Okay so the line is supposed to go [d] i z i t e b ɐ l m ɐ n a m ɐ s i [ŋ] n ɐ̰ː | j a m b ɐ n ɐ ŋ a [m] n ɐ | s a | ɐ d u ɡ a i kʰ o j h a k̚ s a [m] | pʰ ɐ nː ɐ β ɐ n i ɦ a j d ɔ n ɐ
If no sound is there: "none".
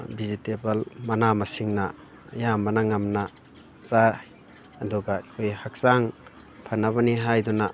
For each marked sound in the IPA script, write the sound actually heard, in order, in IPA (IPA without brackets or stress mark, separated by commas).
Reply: b, ŋ, m, ŋ